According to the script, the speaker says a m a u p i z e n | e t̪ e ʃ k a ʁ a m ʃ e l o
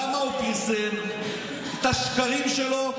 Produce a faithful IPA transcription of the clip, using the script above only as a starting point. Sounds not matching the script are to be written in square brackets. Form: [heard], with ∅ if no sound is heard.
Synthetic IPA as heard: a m a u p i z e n | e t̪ [a] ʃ k a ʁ [i] m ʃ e l o

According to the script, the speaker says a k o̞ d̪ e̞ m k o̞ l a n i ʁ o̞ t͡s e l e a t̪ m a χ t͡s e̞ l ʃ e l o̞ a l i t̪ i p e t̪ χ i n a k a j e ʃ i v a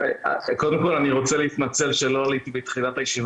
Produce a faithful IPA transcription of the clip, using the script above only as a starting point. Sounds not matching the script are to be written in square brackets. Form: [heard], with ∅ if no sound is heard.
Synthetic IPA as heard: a k o̞ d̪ e̞ m k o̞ l a n i ʁ o̞ t͡s e l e [i] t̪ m a [∅] t͡s e̞ l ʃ e l o̞ a l i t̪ i [b] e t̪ χ i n a [t] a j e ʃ i v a

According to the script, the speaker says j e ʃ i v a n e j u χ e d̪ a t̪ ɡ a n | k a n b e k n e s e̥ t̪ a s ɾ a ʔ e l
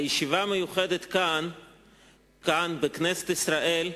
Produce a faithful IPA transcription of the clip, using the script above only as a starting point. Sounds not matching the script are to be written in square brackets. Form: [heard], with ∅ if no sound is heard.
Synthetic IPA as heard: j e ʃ i v a [m] e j u χ e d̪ [e] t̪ [k] a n | k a n b e k n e s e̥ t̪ [i] s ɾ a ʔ e l

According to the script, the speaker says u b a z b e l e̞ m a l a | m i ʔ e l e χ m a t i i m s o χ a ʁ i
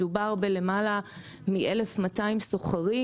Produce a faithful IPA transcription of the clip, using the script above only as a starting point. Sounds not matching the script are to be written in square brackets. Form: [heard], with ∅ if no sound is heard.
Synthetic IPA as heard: u b a [ʁ] b e l e̞ m a l a | m i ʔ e l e [f] m a t [a] i m s o χ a ʁ i

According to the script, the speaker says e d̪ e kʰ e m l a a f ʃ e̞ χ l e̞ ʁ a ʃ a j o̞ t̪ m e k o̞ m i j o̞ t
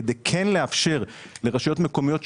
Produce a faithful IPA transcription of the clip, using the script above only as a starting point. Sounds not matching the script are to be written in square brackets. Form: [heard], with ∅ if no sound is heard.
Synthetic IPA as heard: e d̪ e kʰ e [n] l [e] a f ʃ e̞ [ʁ] l e̞ ʁ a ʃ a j o̞ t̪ m e k o̞ m i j o̞ t

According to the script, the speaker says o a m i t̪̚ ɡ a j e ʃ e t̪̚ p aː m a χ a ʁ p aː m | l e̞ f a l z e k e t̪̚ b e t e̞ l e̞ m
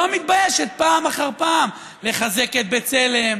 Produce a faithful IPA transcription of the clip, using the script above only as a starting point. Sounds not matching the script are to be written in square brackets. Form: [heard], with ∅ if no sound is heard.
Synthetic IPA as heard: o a m i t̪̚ [b] a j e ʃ e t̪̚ p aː m a χ a ʁ p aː m | l e̞ [χ] a [∅] z e k e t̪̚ b e [t͡s] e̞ l e̞ m

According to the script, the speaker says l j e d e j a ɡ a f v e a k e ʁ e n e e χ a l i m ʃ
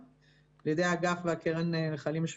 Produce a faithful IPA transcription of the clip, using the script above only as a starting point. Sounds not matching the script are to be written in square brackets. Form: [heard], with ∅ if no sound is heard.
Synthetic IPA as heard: l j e d e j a ɡ a f v e a k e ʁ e n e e χ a l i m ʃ

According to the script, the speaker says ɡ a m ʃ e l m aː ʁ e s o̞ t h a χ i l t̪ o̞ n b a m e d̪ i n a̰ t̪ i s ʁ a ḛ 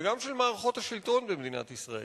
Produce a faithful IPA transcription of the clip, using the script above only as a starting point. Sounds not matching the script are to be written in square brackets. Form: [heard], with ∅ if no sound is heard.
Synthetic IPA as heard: ɡ a m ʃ e l m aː ʁ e [χ] o̞ t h a [ʃ] i l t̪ o̞ n b [e] m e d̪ i n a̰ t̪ i s ʁ a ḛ

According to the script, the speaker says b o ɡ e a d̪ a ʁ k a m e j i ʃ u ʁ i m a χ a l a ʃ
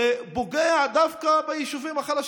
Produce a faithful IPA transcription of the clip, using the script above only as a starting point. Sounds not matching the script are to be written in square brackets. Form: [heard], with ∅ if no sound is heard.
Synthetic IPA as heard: b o ɡ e a d̪ a [v] k a [b] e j i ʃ u [v] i m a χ a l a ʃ

